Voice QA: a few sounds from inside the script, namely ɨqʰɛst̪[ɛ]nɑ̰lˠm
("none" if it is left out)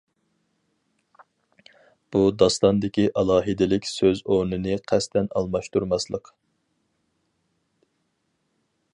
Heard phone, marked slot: ɛ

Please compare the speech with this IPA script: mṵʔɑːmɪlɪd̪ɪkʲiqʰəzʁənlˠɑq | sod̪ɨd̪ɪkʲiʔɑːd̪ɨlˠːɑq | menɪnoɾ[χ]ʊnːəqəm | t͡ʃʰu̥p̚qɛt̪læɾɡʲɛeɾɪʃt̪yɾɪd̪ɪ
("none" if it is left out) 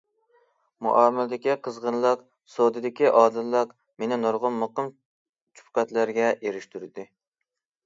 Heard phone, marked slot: ʁ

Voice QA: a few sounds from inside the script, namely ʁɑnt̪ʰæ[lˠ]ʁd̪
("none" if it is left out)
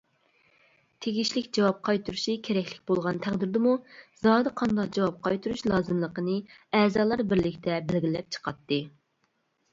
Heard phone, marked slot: none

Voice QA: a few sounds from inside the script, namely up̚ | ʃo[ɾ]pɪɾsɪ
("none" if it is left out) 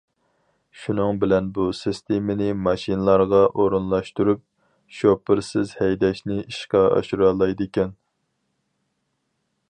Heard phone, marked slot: none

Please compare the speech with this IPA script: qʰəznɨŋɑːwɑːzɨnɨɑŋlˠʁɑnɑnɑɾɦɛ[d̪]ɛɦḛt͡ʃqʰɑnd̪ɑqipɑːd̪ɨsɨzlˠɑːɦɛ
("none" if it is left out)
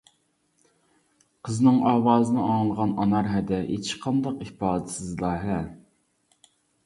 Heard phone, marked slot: d̪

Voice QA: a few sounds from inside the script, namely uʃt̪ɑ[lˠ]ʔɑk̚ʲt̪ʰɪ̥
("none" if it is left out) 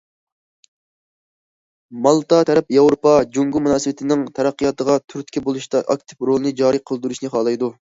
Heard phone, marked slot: none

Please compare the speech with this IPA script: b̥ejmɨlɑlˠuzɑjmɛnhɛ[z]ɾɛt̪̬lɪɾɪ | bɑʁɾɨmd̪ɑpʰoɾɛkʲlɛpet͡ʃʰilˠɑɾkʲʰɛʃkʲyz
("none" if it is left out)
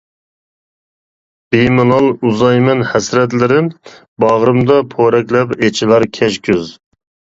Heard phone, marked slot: s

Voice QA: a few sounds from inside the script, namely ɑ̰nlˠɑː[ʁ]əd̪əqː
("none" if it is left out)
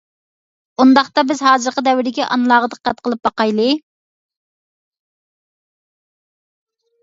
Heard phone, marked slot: ʁ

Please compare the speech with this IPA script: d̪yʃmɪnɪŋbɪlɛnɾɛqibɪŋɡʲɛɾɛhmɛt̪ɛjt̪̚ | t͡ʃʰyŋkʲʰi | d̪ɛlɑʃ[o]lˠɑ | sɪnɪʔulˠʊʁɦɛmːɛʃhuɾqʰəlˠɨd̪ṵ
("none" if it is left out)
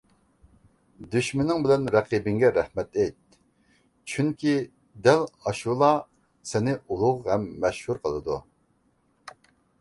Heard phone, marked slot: u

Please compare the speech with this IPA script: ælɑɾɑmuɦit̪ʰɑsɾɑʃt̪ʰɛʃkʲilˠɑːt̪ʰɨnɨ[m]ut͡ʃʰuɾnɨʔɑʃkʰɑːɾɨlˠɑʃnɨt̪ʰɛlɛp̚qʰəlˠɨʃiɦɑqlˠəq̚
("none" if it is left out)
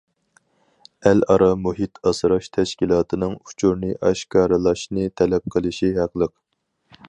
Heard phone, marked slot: ŋ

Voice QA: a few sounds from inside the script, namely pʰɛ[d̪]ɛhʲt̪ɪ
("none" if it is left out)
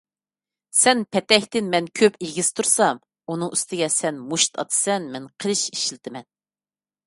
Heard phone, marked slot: t̪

